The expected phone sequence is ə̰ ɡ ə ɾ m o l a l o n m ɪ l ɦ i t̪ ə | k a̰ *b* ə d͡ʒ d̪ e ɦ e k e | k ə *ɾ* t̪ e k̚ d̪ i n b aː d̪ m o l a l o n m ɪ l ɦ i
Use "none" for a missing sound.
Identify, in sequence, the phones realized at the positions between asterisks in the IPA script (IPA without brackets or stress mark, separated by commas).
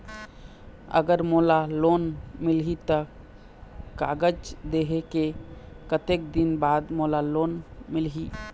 ɡ, none